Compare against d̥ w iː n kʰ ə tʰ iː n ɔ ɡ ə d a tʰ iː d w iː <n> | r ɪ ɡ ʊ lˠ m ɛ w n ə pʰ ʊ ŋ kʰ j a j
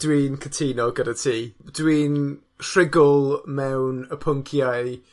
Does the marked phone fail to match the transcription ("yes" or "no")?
no